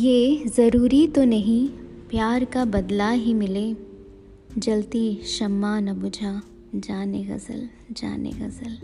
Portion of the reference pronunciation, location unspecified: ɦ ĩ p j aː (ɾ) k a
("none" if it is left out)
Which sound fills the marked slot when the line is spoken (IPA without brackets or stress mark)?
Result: ɾ